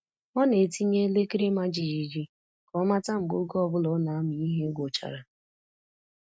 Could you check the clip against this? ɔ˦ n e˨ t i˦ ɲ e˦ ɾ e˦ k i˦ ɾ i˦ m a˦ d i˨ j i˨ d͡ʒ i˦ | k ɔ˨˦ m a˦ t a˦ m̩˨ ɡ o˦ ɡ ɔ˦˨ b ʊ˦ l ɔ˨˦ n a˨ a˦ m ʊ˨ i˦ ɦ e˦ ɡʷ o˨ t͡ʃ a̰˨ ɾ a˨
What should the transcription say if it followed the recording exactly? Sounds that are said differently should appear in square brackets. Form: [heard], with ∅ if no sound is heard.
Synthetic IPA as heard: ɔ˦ n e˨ t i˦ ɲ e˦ [l] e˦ k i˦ ɾ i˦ m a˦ [d͡ʒ] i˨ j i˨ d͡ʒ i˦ | k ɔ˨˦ m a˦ t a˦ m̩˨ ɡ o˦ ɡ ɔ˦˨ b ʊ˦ l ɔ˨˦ n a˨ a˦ m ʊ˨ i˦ ɦ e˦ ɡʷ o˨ t͡ʃ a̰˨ ɾ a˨